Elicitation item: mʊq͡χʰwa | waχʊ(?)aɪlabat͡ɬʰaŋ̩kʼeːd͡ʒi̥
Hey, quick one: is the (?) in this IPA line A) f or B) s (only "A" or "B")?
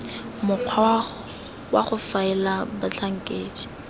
A